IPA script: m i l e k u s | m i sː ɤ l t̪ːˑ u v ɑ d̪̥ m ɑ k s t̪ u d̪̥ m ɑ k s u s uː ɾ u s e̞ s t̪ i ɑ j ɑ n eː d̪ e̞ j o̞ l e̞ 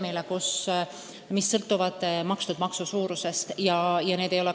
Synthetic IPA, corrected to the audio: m i l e k u s | m i sː ɤ l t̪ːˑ u v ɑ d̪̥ m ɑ k s t̪ u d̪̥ m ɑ k s u s uː ɾ u s e̞ s t̪ j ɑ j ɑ n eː d̪ e̞ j o̞ l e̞